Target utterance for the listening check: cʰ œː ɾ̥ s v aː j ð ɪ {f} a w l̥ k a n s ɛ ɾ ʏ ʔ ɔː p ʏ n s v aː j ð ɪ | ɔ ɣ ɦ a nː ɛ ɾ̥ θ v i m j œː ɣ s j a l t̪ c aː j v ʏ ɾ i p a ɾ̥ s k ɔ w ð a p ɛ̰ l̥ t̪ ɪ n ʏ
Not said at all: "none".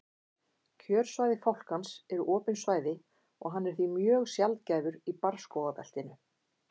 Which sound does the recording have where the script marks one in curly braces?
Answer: f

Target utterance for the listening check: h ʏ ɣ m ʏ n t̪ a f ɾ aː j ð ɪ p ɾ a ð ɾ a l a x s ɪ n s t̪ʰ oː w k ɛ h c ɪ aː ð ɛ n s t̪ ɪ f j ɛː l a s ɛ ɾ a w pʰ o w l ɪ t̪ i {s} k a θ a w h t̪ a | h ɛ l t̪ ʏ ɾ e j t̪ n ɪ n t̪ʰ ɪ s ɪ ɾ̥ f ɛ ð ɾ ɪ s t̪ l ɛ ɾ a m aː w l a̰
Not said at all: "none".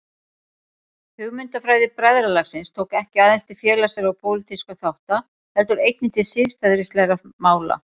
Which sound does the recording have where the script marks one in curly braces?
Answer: s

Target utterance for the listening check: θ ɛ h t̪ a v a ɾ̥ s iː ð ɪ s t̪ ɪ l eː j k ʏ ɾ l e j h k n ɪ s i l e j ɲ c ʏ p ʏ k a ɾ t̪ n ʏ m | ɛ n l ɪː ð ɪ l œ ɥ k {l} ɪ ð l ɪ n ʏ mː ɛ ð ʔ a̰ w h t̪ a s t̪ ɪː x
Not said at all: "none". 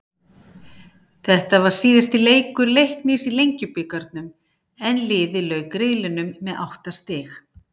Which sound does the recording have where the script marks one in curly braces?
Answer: ɾ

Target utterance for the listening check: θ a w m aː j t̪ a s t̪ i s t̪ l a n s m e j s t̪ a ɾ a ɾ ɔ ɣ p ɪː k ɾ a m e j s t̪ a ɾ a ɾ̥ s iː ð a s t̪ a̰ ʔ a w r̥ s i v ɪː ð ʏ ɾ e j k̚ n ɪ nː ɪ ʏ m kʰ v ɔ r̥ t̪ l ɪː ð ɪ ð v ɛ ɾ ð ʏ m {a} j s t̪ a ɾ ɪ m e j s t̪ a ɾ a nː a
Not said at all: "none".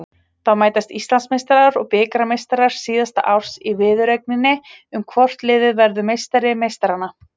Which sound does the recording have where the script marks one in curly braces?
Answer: e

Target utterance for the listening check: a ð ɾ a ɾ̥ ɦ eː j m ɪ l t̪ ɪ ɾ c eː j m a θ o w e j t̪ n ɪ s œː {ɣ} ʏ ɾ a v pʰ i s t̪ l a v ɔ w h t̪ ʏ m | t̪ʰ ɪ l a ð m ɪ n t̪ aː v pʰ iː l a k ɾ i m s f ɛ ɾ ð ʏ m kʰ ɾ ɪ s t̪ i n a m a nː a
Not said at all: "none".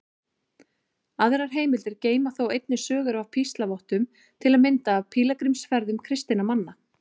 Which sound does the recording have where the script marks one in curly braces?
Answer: ɣ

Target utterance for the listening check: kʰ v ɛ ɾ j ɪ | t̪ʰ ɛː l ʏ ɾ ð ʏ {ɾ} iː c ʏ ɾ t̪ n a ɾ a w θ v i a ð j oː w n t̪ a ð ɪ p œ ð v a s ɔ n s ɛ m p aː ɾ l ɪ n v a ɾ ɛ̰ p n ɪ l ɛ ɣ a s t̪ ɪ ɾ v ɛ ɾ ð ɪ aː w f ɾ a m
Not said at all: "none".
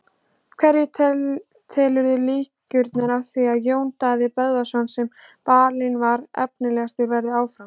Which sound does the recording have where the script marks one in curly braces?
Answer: l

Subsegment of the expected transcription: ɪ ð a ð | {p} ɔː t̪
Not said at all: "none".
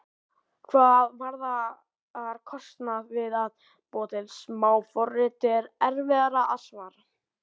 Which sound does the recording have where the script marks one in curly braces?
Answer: p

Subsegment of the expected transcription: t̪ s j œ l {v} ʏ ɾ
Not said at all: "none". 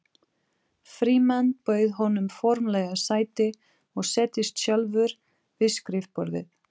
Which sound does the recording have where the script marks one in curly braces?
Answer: v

